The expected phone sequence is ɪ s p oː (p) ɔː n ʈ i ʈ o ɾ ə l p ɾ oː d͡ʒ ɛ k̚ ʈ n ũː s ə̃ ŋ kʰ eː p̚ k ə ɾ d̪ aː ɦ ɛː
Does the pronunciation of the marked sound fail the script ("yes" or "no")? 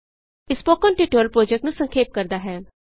yes